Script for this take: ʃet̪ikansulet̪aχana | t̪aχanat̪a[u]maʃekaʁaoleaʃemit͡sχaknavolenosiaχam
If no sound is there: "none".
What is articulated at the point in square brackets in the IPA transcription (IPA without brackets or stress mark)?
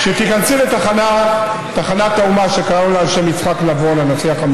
u